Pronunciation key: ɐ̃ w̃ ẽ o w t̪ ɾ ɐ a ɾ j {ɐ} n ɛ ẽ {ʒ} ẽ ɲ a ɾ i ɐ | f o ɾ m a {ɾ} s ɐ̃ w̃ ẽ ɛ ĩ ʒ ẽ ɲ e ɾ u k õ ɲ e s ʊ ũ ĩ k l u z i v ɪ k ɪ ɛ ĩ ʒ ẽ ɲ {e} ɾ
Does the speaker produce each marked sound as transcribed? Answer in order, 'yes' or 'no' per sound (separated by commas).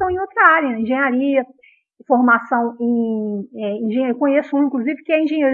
yes, yes, no, yes